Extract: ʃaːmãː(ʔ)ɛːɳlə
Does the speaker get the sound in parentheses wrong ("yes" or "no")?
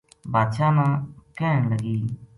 yes